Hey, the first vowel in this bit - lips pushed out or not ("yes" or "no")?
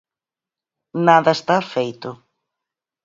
no